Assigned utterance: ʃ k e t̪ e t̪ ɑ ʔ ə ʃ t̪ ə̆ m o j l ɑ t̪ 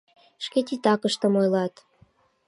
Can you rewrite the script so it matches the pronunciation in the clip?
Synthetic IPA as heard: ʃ k e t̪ i t̪ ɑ k ə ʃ t̪ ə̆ m o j l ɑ t̪

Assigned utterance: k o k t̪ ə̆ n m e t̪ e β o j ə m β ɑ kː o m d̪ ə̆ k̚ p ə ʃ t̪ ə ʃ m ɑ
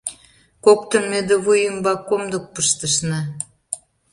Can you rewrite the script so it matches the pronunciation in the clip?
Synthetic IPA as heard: k o k t̪ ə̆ n m e d̪ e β u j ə m b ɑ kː o m d̪ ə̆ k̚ p ə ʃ t̪ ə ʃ n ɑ

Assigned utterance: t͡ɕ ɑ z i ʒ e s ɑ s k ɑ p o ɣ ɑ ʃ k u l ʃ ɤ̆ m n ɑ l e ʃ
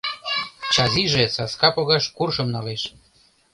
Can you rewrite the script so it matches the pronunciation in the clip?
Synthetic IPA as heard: t͡ɕ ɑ z i ʒ e s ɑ s k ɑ p o ɣ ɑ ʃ k u r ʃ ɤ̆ m n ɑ l e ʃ

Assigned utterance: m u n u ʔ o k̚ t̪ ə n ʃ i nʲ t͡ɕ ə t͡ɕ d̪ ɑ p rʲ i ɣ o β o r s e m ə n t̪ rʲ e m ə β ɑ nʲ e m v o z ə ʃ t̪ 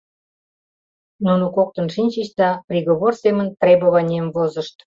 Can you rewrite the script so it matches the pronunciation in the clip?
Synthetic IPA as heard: n u n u k o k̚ t̪ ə n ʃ i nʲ t͡ɕ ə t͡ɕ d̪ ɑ p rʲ i ɣ o β o r s e m ə n t̪ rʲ e b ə β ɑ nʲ e m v o z ə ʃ t̪

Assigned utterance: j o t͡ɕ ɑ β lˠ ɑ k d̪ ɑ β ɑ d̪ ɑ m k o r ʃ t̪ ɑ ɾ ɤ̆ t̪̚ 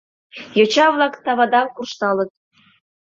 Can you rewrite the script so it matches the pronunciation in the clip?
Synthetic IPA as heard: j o t͡ɕ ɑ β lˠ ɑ k t̪ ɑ β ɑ d̪ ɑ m k u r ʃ t̪ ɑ l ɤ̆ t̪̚

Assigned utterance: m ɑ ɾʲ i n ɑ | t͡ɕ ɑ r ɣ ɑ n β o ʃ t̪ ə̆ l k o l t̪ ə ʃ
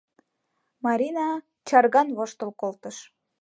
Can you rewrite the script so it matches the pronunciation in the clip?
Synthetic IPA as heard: m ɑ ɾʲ i n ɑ | t͡ɕ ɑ r ɣ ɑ n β o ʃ t̪ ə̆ l k o l t̪ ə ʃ

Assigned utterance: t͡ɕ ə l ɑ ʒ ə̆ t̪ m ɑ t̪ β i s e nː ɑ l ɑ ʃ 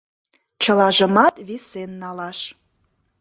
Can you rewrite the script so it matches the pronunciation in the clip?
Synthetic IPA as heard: t͡ɕ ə l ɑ ʒ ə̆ m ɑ t̪ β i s e nː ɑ l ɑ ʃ

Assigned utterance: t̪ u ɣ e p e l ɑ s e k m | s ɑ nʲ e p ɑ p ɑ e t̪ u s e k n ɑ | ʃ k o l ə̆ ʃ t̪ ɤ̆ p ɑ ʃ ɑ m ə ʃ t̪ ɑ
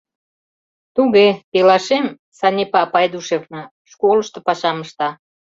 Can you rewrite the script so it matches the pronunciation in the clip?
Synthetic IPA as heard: t̪ u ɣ e p e l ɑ ʃ e m | s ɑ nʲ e p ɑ p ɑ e d̪ u ʃ e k n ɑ | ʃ k o l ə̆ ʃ t̪ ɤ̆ p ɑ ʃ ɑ m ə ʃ t̪ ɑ

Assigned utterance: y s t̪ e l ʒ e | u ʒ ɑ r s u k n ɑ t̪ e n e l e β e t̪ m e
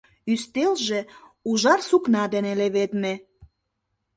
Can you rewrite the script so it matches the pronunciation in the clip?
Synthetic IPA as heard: y s t̪ e l ʒ e | u ʒ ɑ r s u k n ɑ d̪ e n e l e β e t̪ m e

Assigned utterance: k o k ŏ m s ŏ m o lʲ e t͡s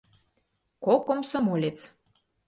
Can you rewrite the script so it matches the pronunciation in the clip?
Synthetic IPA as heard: k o k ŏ m s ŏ m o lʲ e t͡s

